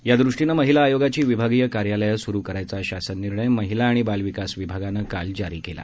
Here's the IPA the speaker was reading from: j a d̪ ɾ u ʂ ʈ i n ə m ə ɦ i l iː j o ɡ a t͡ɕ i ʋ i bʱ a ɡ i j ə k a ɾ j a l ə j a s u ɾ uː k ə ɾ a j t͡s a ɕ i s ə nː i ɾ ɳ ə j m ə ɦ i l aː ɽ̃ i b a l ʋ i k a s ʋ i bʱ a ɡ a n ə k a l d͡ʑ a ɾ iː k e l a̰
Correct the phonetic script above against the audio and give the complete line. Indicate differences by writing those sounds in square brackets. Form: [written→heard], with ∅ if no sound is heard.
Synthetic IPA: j a d̪ ɾ u ʂ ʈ i n ə m ə ɦ i l [iː→aː] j o ɡ a t͡ɕ [i→iː] ʋ i bʱ a ɡ i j ə k a ɾ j a l ə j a s u ɾ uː k ə ɾ a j t͡s a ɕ [i→a] s ə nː i ɾ ɳ ə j m ə ɦ i l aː ɽ̃ i b a l ʋ i k a s ʋ i bʱ a ɡ a n ə k a l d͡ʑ a ɾ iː k e l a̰